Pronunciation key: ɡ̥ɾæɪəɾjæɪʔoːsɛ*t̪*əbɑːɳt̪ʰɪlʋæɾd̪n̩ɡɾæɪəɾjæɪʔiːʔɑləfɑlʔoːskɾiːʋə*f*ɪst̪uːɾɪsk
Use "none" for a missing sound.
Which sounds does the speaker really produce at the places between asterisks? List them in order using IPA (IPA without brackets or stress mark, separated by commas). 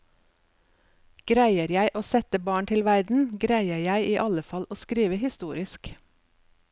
t̪, h